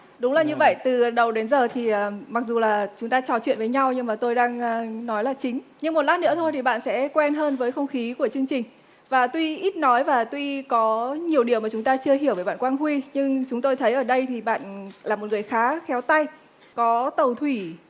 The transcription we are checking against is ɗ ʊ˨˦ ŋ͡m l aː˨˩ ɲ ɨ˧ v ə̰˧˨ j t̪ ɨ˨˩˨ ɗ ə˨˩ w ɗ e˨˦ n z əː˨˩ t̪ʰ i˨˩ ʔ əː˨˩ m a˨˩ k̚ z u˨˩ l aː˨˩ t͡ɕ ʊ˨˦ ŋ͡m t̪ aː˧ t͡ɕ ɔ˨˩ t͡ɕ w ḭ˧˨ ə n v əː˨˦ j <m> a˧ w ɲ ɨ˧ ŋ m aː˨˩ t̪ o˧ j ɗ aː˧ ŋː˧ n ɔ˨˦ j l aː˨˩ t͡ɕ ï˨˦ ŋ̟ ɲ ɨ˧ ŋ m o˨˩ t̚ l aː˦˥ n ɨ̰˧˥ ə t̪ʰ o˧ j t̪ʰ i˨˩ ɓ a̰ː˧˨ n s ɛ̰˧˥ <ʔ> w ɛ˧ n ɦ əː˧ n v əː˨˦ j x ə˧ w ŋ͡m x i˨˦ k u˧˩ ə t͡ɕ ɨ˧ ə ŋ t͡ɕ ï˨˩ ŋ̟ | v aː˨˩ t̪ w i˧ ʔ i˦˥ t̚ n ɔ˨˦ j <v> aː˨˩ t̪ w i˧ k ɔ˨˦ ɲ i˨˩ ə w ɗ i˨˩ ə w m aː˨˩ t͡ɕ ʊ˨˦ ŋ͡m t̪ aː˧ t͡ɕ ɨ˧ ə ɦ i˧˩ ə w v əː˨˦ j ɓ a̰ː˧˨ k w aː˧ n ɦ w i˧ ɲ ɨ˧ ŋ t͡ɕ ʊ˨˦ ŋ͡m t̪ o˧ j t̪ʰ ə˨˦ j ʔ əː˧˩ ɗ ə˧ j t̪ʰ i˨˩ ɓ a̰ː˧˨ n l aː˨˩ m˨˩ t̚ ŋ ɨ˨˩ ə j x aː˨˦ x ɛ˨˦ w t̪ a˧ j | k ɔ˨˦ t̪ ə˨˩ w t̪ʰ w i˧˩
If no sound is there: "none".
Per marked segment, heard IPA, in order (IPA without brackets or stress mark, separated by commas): ɲ, k, v